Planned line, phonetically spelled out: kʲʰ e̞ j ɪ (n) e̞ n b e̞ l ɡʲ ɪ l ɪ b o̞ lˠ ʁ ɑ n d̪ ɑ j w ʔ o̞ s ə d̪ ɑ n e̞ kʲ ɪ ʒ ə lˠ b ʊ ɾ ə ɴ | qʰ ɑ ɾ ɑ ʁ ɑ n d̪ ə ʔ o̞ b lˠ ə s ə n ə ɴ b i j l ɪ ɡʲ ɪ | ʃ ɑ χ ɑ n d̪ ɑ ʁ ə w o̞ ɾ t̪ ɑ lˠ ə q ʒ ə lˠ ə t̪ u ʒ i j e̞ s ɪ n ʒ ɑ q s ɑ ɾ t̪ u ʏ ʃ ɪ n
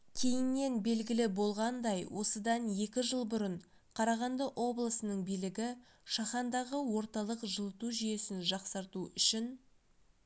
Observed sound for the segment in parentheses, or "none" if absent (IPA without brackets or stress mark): nː